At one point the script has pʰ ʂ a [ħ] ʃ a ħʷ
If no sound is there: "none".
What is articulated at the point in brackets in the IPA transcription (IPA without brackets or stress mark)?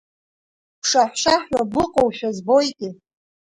ħ